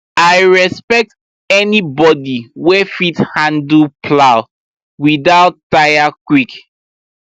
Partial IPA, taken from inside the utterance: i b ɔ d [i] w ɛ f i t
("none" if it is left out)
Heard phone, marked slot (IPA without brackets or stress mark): i